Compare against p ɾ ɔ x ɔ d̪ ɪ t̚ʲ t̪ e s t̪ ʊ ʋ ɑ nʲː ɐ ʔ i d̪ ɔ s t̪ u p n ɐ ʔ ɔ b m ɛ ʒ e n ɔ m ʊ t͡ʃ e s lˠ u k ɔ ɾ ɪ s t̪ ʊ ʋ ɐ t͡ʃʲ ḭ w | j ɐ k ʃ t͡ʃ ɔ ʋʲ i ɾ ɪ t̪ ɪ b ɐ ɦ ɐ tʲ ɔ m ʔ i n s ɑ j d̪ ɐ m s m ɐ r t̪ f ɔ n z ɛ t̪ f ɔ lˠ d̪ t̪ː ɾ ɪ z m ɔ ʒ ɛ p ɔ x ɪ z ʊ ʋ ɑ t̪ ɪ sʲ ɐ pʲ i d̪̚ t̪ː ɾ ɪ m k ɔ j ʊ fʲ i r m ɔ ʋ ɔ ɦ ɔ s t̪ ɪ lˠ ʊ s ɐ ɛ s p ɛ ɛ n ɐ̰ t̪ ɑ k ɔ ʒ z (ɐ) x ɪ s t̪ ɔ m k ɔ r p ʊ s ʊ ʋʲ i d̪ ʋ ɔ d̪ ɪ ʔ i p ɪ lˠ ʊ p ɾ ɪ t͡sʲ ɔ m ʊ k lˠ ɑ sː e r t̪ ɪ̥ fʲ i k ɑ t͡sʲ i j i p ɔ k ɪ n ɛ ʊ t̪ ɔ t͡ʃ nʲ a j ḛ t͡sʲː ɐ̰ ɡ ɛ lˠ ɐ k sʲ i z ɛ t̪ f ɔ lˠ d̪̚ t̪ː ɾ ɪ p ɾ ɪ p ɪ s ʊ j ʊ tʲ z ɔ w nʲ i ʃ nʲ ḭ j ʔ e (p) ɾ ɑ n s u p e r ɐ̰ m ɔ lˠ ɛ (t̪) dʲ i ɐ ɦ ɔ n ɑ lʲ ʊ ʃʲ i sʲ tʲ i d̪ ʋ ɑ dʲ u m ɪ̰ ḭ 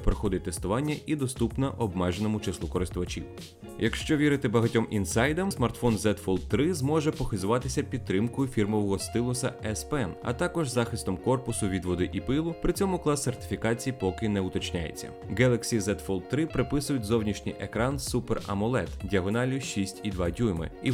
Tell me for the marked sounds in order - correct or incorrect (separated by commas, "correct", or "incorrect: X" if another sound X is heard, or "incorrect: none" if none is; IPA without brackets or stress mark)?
incorrect: ɑ, incorrect: k, correct